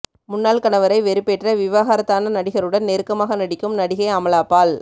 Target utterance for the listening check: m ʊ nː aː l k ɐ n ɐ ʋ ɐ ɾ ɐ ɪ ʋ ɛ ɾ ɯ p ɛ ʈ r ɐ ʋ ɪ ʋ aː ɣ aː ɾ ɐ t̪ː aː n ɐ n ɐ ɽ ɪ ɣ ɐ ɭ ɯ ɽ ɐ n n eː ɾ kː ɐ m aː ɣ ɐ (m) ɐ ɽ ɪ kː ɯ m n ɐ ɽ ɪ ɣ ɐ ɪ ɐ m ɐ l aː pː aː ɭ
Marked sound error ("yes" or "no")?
yes